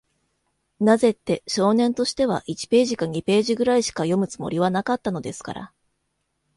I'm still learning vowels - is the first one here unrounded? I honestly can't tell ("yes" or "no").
yes